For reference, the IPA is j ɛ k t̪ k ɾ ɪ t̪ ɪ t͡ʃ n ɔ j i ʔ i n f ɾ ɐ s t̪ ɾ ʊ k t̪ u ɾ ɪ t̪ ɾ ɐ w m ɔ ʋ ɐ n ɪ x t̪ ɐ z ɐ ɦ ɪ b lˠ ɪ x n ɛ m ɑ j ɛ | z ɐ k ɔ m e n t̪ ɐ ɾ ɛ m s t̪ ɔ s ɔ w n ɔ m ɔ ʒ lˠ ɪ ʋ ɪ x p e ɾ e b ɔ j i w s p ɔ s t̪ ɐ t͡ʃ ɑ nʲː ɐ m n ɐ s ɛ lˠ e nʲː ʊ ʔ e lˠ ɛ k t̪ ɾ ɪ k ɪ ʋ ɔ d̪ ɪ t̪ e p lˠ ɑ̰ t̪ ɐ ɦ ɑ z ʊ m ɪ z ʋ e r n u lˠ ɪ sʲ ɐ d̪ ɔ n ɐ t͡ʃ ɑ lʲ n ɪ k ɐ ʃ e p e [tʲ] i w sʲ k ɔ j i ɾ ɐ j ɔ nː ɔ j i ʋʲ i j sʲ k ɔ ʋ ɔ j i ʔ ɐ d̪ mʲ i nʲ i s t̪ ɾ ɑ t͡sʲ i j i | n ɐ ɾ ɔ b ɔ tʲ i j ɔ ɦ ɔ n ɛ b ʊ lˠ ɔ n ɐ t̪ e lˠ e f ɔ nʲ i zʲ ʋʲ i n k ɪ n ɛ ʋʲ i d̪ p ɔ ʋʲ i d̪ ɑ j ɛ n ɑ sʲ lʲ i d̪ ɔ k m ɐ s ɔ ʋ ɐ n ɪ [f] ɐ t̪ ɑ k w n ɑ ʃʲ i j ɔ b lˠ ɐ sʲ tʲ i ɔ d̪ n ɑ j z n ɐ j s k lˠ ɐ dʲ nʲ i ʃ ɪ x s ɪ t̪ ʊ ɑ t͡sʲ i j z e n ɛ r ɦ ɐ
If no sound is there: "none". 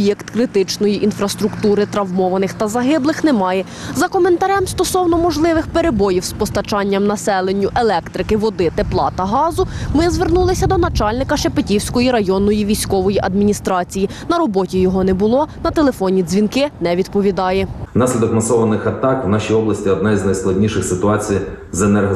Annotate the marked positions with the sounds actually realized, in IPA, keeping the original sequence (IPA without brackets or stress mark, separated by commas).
tʲ, x